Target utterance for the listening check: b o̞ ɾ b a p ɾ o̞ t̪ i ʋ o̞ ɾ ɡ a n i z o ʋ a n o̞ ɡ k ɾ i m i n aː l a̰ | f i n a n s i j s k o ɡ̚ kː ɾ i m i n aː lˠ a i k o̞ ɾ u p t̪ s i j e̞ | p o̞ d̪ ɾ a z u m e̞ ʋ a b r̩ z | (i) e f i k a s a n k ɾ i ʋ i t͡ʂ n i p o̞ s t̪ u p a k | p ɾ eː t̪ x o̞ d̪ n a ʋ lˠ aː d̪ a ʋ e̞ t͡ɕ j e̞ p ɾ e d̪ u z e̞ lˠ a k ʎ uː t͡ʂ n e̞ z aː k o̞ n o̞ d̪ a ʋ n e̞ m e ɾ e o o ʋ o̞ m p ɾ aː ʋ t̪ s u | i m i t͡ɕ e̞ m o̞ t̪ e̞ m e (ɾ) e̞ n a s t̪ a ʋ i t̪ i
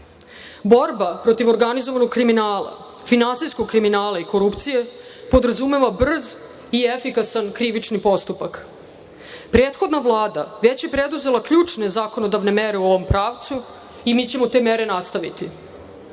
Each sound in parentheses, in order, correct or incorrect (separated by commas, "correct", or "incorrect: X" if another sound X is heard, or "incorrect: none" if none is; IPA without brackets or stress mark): correct, correct